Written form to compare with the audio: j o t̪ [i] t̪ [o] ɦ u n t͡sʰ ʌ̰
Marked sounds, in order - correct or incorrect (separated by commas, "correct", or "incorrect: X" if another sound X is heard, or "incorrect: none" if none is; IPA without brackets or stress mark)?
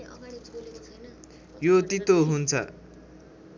correct, correct